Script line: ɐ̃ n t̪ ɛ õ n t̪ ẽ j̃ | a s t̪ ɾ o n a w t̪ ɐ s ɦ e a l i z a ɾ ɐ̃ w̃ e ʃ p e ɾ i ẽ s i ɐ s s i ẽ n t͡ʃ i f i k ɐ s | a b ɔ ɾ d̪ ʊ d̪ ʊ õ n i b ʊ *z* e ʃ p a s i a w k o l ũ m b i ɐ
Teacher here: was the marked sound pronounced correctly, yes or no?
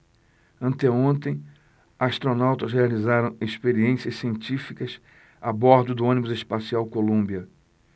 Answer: yes